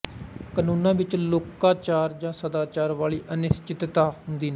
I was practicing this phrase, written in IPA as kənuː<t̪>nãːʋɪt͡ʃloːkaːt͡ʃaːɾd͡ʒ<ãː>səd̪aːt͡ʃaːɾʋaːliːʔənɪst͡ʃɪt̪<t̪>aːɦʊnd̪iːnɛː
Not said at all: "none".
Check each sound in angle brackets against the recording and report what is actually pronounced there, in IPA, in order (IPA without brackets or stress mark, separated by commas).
none, ãː, t̪